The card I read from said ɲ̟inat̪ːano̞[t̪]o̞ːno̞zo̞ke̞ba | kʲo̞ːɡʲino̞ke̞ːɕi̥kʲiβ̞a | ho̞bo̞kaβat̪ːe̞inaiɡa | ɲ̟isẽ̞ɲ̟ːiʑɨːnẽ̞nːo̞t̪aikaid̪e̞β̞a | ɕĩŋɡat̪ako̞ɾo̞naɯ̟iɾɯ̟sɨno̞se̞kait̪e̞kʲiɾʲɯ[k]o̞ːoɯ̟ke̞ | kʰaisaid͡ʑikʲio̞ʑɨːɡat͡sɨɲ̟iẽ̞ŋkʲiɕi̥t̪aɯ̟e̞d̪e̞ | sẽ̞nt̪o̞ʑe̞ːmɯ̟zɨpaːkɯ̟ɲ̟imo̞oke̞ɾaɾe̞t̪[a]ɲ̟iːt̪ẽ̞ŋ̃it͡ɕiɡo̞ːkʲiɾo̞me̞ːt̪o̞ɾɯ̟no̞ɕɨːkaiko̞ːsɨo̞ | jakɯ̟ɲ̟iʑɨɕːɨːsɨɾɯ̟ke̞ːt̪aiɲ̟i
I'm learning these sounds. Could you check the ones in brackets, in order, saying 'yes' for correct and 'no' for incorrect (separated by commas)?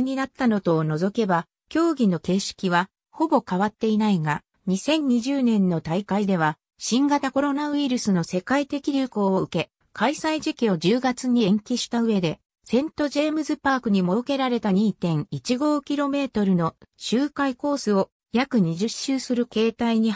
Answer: yes, yes, yes